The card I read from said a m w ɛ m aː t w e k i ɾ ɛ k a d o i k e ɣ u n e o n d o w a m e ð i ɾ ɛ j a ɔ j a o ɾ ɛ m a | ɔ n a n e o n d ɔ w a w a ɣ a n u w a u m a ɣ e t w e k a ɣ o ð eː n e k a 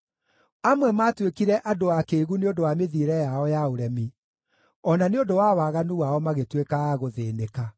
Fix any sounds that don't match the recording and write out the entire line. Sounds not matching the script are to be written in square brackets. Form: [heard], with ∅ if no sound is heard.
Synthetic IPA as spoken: a m w ɛ m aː t w e k i ɾ ɛ [ʔ] a d o [a] k e ɣ u n e o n d o w a m e ð i ɾ ɛ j a ɔ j a o ɾ ɛ m [i] | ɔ n a n e o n d [o] w a w a ɣ a n u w a [ɔ] m a ɣ e t w e k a ɣ o ð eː n e k a